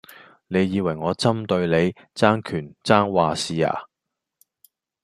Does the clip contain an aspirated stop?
yes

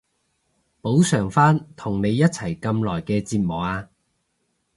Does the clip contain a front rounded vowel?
yes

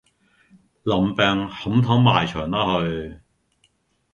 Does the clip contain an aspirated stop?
yes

